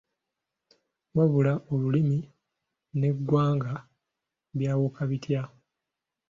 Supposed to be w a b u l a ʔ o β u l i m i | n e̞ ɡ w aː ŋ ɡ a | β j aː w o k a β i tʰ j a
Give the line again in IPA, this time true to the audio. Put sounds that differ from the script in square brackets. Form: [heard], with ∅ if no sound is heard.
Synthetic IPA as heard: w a [β] u l a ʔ o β u l i m i | n e̞ ɡ w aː ŋ ɡ a | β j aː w o k a β i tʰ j a